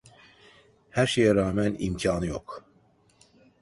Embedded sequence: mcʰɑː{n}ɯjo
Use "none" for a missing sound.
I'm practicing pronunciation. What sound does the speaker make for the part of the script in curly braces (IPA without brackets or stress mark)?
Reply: n